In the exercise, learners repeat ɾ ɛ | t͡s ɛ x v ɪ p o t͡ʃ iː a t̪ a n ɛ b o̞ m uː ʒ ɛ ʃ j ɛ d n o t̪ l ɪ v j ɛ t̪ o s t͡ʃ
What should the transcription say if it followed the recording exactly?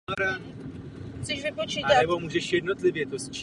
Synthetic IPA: ɾ a | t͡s ɛ ʃ v ɪ p o t͡ʃ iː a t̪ a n ɛ b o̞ m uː ʒ ɛ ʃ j ɛ d n o t̪ l ɪ v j ɛ t̪ o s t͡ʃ